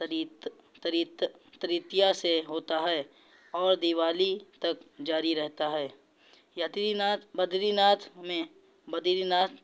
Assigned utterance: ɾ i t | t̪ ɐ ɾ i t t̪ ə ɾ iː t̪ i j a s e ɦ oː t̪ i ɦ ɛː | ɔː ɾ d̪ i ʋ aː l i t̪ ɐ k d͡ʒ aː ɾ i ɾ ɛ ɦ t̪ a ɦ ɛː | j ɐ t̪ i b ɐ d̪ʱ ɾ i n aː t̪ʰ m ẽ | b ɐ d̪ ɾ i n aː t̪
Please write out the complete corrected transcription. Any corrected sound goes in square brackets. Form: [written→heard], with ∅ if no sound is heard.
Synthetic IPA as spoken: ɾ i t | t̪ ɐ ɾ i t t̪ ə ɾ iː t̪ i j a s e ɦ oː t̪ [i→a] ɦ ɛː | ɔː ɾ d̪ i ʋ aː l i t̪ ɐ k d͡ʒ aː ɾ i ɾ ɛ ɦ t̪ a ɦ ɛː | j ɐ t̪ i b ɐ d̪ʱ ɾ i n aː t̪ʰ m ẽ | b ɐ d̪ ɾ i n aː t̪